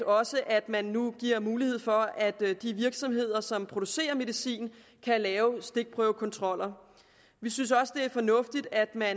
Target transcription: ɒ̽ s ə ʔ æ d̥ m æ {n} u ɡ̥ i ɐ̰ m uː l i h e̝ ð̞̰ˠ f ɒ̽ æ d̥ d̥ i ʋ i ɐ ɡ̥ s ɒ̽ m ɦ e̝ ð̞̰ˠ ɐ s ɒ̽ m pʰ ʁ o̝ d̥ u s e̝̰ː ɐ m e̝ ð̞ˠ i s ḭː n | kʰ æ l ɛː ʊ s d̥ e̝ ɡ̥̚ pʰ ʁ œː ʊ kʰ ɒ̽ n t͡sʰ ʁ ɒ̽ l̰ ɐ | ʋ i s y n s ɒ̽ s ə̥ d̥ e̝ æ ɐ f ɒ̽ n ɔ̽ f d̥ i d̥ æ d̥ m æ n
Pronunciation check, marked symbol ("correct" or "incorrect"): incorrect